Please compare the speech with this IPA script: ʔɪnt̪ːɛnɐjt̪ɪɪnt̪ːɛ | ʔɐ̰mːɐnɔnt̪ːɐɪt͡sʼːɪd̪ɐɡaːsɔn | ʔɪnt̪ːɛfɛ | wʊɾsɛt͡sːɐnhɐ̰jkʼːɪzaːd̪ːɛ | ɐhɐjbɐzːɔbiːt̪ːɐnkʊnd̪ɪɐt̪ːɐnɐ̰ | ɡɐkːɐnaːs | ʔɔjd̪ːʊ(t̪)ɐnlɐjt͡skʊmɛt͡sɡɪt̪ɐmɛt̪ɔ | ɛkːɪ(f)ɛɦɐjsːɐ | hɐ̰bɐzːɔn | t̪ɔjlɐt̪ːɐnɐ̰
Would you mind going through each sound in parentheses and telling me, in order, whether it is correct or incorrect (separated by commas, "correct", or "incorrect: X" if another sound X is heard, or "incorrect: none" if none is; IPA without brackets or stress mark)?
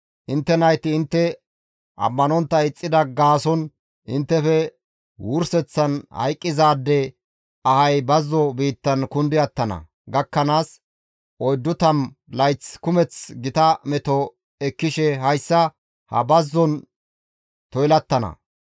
correct, incorrect: ʃ